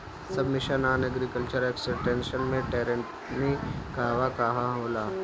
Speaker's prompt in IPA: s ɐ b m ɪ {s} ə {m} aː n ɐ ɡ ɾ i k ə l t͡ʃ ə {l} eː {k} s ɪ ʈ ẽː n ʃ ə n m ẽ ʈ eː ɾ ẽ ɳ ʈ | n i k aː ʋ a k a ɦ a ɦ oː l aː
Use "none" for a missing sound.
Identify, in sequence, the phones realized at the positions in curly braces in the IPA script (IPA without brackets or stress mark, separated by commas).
ʃ, n, ɾ, k